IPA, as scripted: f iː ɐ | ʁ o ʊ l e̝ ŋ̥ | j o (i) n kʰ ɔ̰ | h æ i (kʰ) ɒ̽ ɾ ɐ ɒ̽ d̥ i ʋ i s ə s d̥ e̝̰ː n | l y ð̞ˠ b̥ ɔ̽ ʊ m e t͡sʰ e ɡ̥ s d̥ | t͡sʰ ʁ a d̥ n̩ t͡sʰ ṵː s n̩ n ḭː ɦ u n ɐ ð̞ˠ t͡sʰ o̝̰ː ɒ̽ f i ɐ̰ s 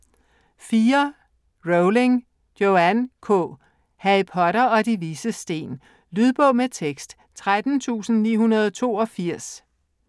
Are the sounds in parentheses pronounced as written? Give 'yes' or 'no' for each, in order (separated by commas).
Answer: no, no